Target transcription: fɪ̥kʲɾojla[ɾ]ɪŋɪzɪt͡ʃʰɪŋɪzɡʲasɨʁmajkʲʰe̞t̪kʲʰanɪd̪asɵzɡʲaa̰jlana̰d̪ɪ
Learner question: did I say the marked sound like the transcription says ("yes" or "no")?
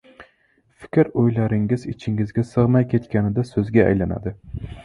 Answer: yes